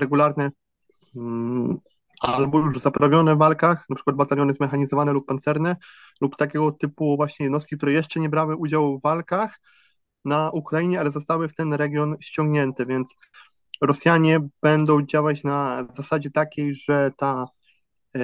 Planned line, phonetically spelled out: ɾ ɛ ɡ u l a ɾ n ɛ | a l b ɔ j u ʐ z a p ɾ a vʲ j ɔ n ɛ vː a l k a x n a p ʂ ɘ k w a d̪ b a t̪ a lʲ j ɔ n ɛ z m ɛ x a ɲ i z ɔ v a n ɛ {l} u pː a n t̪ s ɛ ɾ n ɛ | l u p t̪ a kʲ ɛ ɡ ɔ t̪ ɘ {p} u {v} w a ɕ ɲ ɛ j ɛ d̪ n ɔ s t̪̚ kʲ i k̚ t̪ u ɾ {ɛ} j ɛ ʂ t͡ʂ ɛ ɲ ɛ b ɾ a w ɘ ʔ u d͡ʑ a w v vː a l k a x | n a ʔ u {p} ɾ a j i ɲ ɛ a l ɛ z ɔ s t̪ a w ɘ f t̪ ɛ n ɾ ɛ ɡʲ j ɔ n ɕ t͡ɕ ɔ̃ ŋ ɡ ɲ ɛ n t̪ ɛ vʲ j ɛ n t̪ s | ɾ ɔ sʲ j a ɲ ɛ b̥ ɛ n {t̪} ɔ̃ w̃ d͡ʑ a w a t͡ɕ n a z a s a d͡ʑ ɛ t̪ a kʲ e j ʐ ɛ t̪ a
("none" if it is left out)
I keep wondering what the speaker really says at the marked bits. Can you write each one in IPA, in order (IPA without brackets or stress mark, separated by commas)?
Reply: l, p, v, ɛ, k, d̪